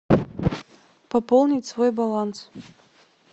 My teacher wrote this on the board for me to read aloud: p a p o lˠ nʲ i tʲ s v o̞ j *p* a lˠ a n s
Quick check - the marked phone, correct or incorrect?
incorrect